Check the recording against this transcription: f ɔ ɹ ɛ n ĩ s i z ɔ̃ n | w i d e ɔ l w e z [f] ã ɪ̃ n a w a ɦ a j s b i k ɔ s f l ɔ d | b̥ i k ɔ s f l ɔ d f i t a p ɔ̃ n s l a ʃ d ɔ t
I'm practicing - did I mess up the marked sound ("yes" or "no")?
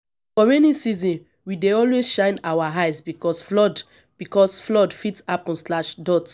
yes